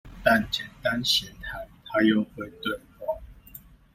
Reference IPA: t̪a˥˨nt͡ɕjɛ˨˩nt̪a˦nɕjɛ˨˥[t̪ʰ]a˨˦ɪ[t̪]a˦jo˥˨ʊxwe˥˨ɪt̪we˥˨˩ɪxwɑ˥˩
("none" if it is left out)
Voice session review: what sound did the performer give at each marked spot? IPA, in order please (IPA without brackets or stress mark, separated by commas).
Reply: t̪ʰ, t̪ʰ